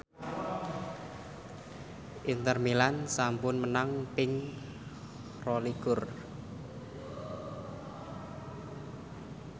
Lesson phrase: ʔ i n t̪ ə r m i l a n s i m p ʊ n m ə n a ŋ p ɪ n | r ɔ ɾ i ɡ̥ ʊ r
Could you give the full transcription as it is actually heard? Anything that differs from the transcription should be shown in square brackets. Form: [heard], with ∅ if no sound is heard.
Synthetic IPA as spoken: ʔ i n t̪ ə r m i l a n s [a] m p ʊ n m ə n a ŋ p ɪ [ŋ] | r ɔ [l] i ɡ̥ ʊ r